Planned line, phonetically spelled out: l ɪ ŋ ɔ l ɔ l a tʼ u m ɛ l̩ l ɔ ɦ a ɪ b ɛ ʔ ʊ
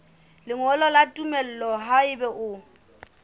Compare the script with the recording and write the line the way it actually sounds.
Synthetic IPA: l ɪ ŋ ɔ l ɔ l a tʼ u m ɛ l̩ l ɔ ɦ a ɪ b ɛ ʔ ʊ